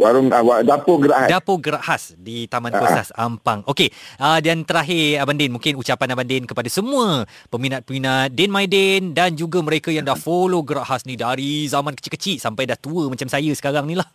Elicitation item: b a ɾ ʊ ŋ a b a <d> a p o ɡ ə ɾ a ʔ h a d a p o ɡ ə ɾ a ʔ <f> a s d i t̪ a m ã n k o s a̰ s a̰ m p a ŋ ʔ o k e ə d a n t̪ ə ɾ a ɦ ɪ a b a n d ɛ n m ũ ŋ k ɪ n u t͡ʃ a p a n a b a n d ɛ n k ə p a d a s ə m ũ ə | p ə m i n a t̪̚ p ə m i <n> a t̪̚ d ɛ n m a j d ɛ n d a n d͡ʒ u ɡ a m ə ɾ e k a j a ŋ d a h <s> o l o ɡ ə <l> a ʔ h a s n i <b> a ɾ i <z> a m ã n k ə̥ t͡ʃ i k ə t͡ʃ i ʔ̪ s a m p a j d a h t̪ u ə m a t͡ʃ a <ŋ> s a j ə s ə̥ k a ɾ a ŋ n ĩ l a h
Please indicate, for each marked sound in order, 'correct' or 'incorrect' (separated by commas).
correct, incorrect, correct, incorrect, incorrect, incorrect, correct, incorrect